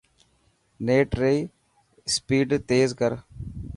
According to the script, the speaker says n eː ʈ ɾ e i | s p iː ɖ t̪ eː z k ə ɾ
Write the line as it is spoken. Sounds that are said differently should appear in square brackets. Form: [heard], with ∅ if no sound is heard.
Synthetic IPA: n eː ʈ ɾ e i | s p iː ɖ t̪ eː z k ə ɾ